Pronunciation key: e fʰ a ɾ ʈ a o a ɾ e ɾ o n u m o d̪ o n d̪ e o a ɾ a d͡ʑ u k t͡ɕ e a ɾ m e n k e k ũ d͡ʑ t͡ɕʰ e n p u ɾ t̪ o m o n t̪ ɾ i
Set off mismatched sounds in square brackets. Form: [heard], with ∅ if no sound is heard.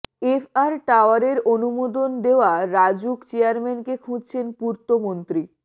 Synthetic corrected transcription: e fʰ a ɾ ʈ a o a ɾ e ɾ o n u m o d̪ o n d̪ e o a ɾ a d͡ʑ u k t͡ɕ e a ɾ m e n k e [kʰ] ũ d͡ʑ t͡ɕʰ e n p u ɾ t̪ o m o n t̪ ɾ i